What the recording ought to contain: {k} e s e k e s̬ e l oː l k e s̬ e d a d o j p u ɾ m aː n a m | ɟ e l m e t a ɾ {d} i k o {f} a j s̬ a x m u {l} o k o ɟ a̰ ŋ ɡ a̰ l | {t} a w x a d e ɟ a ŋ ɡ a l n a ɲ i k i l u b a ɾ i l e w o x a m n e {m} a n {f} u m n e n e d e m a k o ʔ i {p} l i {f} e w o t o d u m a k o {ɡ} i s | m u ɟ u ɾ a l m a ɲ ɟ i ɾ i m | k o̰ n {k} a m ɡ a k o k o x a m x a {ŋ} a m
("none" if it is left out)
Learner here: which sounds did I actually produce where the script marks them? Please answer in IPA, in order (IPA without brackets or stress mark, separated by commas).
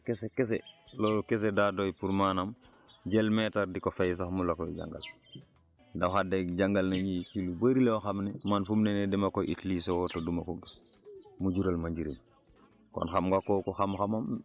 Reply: k, d, f, l, d, m, f, t, s, ɡ, x, m